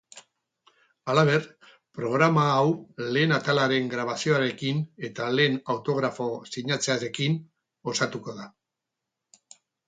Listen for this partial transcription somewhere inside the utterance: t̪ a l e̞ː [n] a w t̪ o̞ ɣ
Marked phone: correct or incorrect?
correct